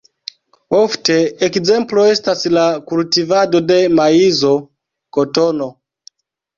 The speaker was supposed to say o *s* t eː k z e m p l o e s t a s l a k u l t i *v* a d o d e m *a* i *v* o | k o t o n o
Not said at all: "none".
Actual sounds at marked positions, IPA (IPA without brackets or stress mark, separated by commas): f, v, a, z